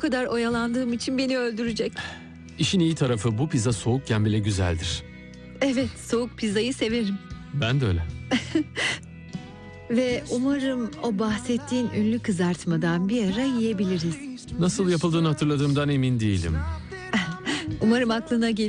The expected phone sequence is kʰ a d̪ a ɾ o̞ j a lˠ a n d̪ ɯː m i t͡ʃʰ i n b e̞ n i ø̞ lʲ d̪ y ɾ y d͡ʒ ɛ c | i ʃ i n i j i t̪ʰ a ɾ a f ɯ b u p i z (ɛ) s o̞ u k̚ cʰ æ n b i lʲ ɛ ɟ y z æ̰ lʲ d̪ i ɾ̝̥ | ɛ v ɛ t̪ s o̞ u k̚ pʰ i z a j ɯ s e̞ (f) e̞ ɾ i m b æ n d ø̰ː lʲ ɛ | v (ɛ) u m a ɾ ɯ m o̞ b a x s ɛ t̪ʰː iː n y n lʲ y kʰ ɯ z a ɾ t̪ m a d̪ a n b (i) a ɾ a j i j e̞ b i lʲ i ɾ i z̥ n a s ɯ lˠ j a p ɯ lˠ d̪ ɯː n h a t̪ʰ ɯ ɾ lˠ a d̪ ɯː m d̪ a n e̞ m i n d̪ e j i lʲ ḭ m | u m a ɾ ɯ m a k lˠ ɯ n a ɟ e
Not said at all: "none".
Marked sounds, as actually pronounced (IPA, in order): a, v, ɛ, i

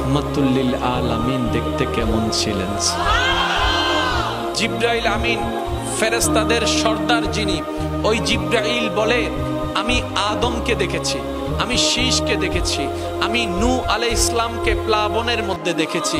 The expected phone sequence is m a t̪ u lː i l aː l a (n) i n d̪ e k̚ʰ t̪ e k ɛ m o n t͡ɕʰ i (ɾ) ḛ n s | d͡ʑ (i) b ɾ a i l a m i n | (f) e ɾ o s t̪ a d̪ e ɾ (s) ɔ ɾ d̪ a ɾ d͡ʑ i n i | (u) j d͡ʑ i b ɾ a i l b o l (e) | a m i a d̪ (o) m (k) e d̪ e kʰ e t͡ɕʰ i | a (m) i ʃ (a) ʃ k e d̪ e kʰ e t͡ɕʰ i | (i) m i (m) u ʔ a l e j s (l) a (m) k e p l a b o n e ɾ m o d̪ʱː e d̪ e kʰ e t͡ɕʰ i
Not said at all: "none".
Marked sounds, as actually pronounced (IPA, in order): m, l, i, f, ʃ, o, e, o, k, m, i, a, n, l, m

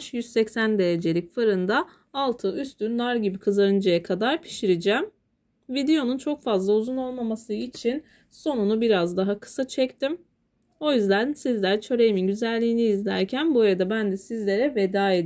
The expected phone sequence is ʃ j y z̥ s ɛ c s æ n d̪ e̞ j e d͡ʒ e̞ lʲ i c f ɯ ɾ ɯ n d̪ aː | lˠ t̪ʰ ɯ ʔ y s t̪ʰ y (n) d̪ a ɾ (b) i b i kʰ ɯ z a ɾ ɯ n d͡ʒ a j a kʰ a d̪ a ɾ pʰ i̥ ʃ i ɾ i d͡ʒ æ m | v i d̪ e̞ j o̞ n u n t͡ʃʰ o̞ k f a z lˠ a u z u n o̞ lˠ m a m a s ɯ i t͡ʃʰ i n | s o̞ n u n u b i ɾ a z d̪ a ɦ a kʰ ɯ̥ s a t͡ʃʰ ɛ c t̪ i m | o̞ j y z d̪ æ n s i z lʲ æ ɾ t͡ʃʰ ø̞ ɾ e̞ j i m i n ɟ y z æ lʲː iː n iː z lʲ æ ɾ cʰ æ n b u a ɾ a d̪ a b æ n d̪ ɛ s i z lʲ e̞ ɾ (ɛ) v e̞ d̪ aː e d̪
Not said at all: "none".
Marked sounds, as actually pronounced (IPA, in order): n, ɟ, ɛ

